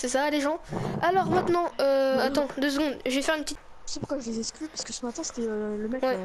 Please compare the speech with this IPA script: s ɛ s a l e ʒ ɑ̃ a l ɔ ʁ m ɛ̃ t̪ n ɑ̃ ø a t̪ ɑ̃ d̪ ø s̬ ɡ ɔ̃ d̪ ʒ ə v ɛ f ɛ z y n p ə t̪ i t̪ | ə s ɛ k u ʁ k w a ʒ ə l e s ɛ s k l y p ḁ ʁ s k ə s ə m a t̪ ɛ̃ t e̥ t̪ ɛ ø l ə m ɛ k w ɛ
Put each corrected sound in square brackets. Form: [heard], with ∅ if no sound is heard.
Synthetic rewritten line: s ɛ s a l e ʒ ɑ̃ a l ɔ ʁ m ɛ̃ t̪ n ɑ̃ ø a t̪ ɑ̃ d̪ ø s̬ ɡ ɔ̃ d̪ ʒ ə v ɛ f ɛ [ʁ] y n p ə t̪ i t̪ | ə s ɛ [p] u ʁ k w a ʒ ə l e [z] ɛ s k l y p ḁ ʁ s k ə s ə m a t̪ ɛ̃ [s] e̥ t̪ ɛ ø l ə m ɛ k w ɛ